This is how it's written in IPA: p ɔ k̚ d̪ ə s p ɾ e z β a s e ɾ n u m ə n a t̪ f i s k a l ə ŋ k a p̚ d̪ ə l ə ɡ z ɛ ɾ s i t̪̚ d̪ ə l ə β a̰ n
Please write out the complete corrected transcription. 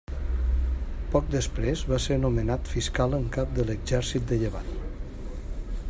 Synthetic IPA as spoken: p ɔ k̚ d̪ ə s p ɾ e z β a s e ɾ n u m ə n a t̪ f i s k a l ə ŋ k a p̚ d̪ ə l ə ɡ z ɛ ɾ s i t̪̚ d̪ ə ʎ ə β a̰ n

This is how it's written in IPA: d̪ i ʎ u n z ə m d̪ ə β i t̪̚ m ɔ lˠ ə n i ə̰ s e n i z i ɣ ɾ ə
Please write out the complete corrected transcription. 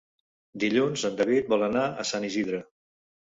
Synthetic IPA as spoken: d̪ i ʎ u n z ə n d̪ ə β i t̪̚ b ɔ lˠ ə n a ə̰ s a n i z i ð ɾ ə

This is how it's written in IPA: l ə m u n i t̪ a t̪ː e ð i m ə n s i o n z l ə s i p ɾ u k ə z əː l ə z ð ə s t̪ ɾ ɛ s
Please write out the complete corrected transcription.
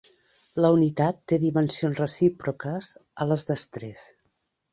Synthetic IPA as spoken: l ə u n i t̪ a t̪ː e ð i m ə n s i o n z r ə s i p ɾ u k ə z ə l ə z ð ə s t̪ ɾ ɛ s

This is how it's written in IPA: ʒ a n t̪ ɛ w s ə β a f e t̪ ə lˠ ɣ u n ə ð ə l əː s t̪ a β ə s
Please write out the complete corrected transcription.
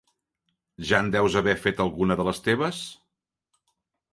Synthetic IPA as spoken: ʒ a n d̪ ɛ w z ə β ɛ f e t̪ ə lˠ ɣ u n ə ð ə l ə s t̪ e β ə s

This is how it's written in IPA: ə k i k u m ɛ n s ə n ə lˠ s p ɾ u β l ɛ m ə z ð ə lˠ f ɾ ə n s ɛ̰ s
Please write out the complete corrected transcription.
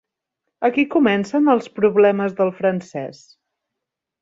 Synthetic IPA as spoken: ə k i k u m ɛ n s ə n ə lˠ s p ɾ u β l ɛ m ə z ð ə lˠ f ɾ ə n s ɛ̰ s

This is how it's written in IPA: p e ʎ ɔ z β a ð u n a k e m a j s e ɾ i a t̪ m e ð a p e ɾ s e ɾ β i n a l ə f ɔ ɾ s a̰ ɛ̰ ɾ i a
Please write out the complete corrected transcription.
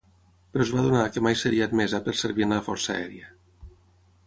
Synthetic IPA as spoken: p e ɾ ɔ z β a ð u n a k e m a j s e ɾ i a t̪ m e z a p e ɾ s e ɾ β i n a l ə f ɔ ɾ s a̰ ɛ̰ ɾ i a

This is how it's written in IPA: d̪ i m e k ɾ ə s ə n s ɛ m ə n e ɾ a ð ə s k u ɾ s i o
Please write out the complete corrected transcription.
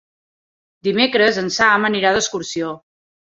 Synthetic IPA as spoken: d̪ i m e k ɾ ə z ə n s a m ə n i ɾ a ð ə s k u ɾ s i o

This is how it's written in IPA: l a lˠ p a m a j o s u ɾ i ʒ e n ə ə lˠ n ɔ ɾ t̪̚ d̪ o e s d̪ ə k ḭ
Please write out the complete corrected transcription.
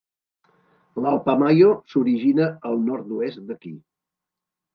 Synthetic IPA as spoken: l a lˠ p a m a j o s u ɾ i ʒ i n ə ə lˠ n ɔ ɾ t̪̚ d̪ u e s d̪ ə k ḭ

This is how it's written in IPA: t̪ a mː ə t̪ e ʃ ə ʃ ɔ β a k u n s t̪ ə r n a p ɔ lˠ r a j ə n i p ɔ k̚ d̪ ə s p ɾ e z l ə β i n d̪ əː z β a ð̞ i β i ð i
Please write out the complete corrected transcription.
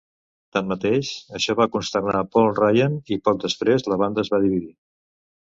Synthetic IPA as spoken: t̪ a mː ə t̪ e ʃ ə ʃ ɔ β a k u n s t̪ ə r n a p ɔ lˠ r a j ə n i p ɔ k̚ d̪ ə s p ɾ e z l ə β a n d̪ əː z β a ð̞ i β i ð i

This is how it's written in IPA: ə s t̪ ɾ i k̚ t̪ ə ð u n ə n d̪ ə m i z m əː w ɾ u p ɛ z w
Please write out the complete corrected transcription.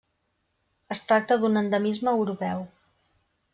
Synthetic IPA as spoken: ə s t̪ ɾ a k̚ t̪ ə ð u n ə n d̪ ə m i z m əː w ɾ u p ɛ w

